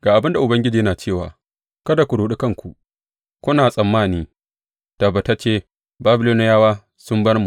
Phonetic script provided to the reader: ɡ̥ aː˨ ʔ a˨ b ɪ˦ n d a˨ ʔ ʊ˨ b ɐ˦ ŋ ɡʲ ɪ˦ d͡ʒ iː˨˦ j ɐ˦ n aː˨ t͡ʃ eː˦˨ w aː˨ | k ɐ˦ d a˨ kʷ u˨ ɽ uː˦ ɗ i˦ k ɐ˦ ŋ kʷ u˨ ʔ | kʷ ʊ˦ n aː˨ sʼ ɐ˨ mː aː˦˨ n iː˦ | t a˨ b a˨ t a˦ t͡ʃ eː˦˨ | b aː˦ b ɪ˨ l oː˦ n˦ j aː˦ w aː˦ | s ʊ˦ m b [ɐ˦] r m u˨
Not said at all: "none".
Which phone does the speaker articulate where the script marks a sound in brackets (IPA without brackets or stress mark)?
ɐ˦